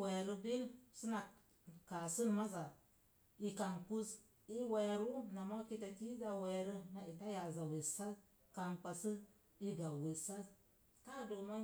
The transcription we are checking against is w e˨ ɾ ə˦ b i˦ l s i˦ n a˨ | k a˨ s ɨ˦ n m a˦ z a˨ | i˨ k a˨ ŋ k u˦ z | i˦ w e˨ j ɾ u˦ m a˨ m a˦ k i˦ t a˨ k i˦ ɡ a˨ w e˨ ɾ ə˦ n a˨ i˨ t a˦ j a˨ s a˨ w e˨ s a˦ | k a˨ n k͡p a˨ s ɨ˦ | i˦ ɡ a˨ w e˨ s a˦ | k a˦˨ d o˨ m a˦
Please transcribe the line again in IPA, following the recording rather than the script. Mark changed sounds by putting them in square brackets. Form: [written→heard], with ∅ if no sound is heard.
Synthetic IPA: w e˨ ɾ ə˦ b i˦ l s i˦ n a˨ | k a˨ s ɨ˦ n m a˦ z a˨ | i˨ k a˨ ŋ k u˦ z | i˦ w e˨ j ɾ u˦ [m→n] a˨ m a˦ k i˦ t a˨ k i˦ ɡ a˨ w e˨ ɾ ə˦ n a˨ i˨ t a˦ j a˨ [s→z] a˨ w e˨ s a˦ | k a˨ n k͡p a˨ s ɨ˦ | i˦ ɡ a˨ w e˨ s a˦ | k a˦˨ d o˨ m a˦